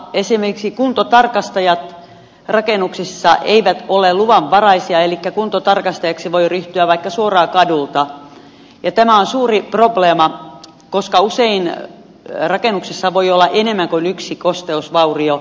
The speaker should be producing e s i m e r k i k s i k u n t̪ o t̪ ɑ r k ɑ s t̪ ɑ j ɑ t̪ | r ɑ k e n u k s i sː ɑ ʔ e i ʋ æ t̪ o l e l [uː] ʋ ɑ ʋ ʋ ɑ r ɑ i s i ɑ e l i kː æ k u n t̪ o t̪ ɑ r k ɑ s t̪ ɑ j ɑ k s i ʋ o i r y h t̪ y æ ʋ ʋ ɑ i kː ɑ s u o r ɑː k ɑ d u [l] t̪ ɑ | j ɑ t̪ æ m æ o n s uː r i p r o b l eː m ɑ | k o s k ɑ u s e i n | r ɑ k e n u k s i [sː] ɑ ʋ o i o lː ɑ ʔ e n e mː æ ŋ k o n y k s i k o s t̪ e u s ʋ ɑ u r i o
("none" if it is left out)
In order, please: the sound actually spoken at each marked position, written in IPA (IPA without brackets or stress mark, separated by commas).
u, l, sː